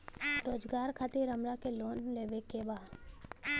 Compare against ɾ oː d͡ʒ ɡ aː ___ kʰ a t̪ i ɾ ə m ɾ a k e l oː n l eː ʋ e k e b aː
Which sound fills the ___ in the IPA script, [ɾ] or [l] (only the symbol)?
ɾ